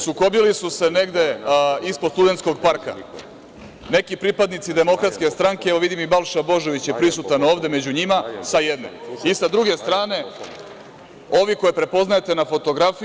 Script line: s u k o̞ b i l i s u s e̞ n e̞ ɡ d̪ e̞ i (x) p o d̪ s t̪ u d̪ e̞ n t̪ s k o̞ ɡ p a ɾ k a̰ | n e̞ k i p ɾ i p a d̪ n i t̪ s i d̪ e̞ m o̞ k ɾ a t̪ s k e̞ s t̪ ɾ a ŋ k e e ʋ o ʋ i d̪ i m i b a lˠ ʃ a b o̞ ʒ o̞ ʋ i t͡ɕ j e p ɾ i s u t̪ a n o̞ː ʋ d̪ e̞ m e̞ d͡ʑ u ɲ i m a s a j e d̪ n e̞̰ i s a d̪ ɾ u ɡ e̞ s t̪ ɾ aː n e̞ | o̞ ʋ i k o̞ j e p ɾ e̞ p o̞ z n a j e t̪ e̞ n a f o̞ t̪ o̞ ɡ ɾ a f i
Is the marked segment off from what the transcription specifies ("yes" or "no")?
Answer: yes